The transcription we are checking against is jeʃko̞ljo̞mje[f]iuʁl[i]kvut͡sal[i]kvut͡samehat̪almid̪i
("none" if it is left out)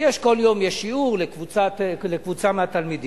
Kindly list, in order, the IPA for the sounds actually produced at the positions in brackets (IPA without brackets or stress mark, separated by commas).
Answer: ʃ, e, e